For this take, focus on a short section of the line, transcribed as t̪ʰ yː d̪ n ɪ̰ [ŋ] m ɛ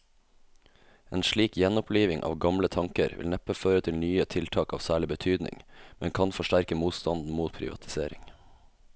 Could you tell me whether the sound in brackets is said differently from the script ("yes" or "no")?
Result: no